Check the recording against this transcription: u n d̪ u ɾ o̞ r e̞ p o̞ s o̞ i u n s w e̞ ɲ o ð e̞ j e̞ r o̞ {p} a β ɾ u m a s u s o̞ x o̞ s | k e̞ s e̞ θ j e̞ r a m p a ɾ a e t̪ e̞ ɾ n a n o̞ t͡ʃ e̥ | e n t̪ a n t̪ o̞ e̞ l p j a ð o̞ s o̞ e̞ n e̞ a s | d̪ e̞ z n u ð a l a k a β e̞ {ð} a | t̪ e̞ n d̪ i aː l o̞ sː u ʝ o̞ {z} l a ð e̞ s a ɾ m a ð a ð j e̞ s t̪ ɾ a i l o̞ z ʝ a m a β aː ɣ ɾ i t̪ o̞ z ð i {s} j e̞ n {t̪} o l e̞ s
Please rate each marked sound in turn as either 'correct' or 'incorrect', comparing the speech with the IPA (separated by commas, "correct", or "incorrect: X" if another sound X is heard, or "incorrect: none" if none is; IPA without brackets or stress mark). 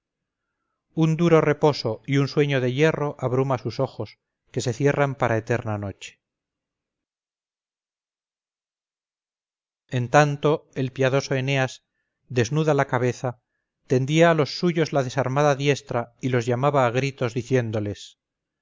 incorrect: ʔ, incorrect: θ, correct, incorrect: θ, incorrect: d̪